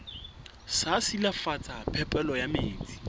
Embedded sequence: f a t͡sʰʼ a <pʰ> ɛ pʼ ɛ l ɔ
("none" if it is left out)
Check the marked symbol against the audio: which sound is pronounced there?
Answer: pʰ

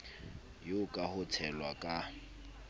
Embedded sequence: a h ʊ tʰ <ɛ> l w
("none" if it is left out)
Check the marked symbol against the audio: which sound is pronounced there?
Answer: ɛ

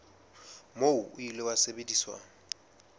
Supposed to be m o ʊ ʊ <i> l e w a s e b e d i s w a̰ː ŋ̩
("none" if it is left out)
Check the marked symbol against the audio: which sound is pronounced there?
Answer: i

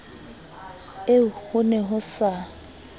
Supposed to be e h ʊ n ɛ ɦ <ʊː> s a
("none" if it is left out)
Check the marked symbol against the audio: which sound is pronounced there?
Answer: ʊ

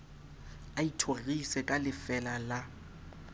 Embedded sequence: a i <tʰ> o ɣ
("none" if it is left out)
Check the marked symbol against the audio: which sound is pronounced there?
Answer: tʰ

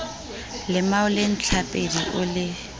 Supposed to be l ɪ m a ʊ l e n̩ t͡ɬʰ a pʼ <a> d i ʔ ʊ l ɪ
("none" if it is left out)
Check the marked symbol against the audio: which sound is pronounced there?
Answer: e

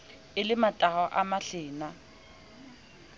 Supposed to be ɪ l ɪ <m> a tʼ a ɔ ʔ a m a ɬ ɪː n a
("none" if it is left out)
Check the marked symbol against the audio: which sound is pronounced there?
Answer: m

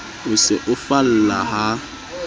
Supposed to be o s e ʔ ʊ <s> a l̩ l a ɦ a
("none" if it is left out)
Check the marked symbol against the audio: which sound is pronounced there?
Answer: f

